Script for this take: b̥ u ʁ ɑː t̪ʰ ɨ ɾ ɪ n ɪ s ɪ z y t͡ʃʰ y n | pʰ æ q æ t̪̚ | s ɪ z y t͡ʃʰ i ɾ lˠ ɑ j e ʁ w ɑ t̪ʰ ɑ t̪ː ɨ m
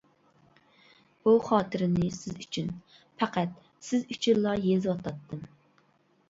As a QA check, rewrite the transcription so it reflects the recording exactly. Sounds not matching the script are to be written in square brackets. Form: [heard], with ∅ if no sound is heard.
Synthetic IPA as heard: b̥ u [χ] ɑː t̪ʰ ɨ ɾ ɪ n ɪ s ɪ z y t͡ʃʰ y n | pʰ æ q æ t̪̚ | s ɪ z y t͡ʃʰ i ɾ lˠ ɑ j e [z] w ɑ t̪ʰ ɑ t̪ː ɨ m